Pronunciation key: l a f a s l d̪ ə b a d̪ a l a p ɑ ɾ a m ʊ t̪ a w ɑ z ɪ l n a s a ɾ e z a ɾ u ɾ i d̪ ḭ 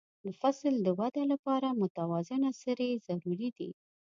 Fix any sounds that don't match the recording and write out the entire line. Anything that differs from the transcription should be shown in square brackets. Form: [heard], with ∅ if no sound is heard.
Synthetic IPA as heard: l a f a s l d̪ ə [w] a d̪ a l a p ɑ ɾ a m ʊ t̪ a w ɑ z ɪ [∅] n a s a ɾ e z a ɾ u ɾ i d̪ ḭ